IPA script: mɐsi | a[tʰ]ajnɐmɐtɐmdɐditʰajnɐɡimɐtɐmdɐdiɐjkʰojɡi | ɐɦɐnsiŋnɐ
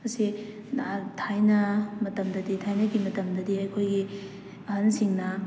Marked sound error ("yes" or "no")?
no